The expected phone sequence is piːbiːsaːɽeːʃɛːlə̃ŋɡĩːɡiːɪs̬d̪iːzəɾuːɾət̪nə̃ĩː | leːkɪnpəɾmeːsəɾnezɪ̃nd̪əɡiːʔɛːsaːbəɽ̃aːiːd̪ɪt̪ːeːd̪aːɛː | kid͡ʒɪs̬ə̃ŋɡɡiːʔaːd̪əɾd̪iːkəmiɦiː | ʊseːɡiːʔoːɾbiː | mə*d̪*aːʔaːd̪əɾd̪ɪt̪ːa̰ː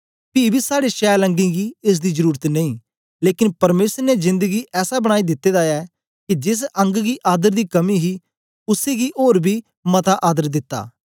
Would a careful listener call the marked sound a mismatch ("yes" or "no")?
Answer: yes